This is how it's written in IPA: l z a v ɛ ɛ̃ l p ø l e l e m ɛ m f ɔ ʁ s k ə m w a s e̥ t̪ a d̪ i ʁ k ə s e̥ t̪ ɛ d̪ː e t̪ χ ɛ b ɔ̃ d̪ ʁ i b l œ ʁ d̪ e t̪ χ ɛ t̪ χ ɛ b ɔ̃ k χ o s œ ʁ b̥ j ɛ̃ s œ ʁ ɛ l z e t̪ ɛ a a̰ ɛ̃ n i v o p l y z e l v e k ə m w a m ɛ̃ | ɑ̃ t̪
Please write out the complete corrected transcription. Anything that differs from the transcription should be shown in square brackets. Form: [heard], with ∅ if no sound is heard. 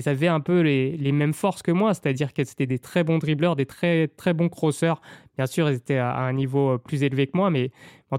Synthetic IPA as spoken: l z a v ɛ ɛ̃ [∅] p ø l e l e m ɛ m f ɔ ʁ s k ə m w a s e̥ t̪ a d̪ i ʁ k ə s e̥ t̪ ɛ [d̪] e t̪ χ ɛ b ɔ̃ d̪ ʁ i b l œ ʁ d̪ e t̪ χ ɛ t̪ χ ɛ b ɔ̃ k χ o s œ ʁ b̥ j ɛ̃ s [y] ʁ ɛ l z e t̪ ɛ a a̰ ɛ̃ n i v o p l y z e l v e k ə m w a m [ɛ] | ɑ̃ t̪